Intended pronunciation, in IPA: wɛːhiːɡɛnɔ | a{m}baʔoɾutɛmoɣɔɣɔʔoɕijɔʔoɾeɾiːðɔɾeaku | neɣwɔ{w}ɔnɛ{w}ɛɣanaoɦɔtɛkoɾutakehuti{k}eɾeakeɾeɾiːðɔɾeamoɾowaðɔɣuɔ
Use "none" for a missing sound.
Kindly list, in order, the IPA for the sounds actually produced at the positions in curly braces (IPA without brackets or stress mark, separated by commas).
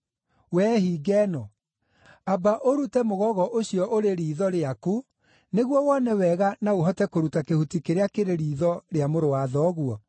none, w, w, k